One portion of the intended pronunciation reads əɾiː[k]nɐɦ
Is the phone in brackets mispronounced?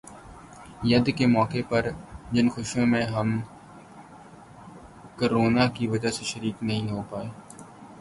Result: no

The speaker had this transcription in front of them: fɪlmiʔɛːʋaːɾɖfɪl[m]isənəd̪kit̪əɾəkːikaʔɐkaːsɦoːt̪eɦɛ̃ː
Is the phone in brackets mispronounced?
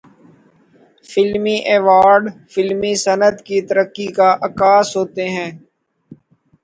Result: no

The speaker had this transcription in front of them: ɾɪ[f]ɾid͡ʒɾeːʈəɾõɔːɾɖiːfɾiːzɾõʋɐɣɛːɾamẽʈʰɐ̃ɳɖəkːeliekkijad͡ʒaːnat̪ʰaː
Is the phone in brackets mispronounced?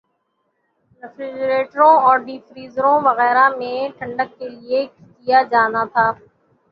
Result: no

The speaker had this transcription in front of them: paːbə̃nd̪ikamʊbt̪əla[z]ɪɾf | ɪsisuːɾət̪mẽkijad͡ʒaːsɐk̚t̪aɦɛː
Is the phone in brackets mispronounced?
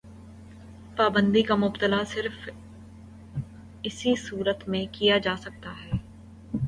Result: yes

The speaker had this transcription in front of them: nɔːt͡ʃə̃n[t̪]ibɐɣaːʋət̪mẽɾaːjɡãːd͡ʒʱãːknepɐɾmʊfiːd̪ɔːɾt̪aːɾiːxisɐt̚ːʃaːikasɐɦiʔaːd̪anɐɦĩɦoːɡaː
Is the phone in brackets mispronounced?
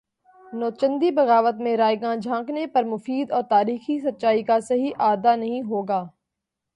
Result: yes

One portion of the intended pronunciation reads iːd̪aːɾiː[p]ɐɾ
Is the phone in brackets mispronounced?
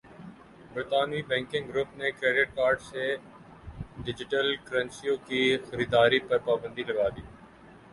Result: no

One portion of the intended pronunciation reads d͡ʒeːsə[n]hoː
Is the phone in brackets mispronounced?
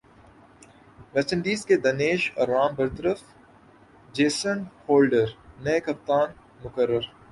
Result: no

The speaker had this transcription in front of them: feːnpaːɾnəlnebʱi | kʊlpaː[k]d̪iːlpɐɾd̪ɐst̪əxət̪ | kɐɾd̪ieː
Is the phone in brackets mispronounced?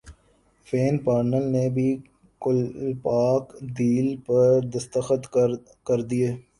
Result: no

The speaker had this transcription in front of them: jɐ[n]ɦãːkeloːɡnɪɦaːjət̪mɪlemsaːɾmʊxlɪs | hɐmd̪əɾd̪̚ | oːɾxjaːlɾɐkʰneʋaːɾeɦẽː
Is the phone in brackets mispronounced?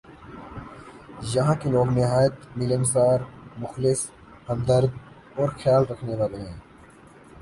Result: yes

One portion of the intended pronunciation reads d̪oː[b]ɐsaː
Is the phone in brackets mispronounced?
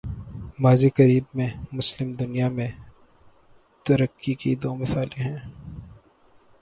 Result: yes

